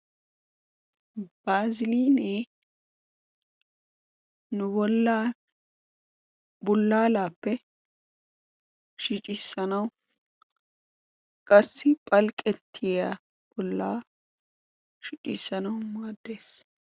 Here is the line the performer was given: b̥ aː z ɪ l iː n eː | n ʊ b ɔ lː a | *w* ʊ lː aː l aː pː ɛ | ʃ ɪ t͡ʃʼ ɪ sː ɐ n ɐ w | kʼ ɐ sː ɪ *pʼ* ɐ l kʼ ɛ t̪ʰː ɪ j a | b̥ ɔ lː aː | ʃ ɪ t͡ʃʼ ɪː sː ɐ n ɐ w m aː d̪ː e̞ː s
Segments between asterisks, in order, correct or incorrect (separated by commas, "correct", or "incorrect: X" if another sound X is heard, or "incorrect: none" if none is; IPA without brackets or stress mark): incorrect: b, correct